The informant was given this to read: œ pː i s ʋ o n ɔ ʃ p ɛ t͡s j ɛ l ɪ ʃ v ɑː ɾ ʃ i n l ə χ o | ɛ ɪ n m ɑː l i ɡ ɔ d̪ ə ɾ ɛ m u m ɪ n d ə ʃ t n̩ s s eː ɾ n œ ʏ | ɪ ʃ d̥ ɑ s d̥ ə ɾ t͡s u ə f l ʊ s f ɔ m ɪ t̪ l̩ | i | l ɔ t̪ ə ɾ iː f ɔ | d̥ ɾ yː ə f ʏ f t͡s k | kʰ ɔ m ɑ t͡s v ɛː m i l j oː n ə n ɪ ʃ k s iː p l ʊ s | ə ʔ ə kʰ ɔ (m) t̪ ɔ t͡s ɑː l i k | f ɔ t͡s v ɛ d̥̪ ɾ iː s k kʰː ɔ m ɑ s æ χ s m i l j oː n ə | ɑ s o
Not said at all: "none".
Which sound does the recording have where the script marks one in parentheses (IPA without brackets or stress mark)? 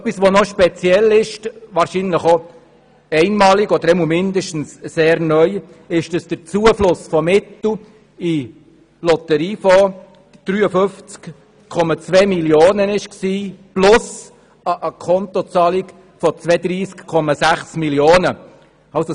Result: n